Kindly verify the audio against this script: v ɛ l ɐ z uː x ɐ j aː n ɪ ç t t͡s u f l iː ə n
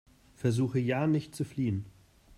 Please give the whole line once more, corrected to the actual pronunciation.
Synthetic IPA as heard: f ɛ ɐ z uː x ə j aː n ɪ ç t t͡s u f l iː ə n